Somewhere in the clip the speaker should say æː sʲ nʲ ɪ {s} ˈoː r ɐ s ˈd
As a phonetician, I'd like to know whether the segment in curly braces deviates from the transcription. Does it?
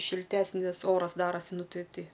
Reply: no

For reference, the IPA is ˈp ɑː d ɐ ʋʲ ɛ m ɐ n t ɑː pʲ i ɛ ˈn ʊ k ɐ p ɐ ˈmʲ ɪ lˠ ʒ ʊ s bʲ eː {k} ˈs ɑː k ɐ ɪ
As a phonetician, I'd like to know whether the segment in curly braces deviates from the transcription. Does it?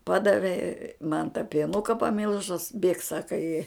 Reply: no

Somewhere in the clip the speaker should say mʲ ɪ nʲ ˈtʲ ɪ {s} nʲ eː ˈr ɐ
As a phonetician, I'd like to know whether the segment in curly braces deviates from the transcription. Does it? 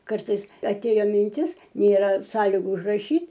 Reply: no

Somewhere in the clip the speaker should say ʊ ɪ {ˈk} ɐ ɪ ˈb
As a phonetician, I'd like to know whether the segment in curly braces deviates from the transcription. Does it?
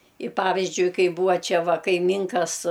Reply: no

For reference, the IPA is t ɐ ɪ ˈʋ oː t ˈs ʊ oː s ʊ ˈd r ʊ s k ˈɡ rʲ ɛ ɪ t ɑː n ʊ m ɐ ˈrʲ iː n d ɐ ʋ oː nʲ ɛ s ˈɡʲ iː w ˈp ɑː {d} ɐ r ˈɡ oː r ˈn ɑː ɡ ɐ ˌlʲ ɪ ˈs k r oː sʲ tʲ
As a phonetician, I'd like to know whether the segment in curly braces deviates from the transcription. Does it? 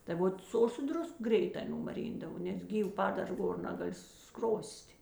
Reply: no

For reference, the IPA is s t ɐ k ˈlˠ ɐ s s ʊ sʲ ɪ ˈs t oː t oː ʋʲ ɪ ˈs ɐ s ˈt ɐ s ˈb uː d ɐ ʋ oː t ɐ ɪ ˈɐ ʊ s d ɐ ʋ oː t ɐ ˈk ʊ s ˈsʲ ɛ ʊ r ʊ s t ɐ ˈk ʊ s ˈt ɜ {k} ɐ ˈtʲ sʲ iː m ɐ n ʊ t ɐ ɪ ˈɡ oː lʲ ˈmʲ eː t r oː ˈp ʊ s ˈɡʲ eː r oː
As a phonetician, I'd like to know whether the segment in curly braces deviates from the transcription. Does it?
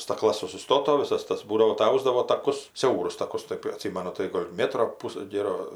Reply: yes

